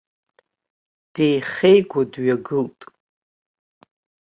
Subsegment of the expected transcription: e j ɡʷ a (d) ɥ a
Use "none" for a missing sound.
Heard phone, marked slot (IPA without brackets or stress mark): d